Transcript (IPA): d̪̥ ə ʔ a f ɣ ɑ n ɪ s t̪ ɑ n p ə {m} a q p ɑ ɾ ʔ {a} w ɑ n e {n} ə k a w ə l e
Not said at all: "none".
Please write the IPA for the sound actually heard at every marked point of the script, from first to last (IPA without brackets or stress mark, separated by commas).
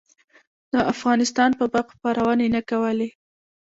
b, a, n